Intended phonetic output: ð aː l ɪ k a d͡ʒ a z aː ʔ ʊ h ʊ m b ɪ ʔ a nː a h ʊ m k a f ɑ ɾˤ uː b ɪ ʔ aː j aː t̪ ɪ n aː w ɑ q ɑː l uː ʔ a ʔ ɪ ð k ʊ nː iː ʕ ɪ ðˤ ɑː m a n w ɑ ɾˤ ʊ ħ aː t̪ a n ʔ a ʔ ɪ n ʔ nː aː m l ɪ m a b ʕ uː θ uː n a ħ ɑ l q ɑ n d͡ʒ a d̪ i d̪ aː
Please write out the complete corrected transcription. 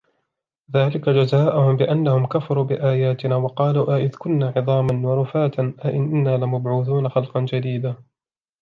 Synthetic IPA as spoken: ð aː l ɪ k a d͡ʒ a z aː ʔ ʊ h ʊ m b ɪ ʔ a nː a h ʊ m k a f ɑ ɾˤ uː b ɪ ʔ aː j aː t̪ ɪ n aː w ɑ q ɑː l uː ʔ a ʔ ɪ ð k ʊ nː aː ʕ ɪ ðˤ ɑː m a n w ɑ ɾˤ ʊ f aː t̪ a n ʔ a ʔ ɪ n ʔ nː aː l ɪ m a b ʕ uː θ uː n a x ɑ l q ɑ n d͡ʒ a d̪ iː d̪ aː